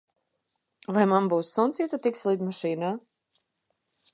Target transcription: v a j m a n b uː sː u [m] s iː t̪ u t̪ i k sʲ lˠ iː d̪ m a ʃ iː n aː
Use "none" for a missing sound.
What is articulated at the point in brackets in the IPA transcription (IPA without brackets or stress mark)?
n